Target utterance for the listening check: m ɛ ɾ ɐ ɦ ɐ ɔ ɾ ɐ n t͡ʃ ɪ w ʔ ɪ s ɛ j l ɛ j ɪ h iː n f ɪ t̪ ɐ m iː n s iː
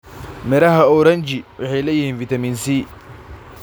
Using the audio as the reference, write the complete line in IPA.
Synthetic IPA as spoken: m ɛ ɾ ɐ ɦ ɐ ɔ ɾ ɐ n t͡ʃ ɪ w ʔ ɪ ħ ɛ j l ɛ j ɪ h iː n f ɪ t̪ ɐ m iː n s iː